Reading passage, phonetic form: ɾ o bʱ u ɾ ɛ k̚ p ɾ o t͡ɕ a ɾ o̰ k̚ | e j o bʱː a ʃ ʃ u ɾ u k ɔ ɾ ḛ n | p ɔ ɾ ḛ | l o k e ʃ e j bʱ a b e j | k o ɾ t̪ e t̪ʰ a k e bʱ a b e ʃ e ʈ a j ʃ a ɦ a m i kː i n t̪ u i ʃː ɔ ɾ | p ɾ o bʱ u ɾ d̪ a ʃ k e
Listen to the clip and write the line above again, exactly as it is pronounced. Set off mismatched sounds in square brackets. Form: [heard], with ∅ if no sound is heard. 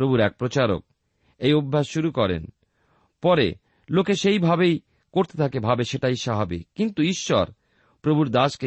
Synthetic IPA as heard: ɾ o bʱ u ɾ ɛ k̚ p ɾ o t͡ɕ a ɾ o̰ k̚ | e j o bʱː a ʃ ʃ u ɾ u k ɔ ɾ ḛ n | p ɔ ɾ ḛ | l o k e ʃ e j bʱ a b e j | k o ɾ t̪ e t̪ʰ a k e bʱ a b e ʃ e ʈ a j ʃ a ɦ a [b] i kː i n t̪ u i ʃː ɔ ɾ | p ɾ o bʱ u ɾ d̪ a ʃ k e